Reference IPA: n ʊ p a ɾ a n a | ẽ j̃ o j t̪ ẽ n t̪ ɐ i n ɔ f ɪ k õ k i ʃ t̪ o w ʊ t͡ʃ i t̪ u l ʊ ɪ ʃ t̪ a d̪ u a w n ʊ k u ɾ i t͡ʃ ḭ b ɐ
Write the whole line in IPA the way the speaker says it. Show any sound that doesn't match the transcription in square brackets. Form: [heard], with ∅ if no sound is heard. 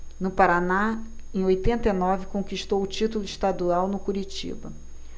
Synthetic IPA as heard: n ʊ p a ɾ a n a | ẽ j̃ o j t̪ ẽ n t̪ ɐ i n ɔ [v] ɪ k õ k i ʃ t̪ o w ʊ t͡ʃ i t̪ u l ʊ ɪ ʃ t̪ a d̪ u a w n ʊ k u ɾ i t͡ʃ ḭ b ɐ